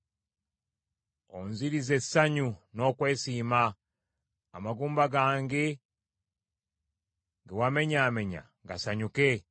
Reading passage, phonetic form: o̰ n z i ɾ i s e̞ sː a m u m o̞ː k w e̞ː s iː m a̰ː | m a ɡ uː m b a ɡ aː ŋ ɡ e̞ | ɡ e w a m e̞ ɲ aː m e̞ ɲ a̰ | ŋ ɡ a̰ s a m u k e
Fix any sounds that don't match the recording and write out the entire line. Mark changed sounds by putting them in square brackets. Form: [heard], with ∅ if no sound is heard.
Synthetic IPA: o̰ n z i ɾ i [z] e̞ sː a [ɲ] u [n] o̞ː k w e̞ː s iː m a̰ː | m a ɡ uː m b a ɡ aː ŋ ɡ e̞ | ɡ e w a m e̞ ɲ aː m e̞ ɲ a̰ | ŋ ɡ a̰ s a [ɲ] u k e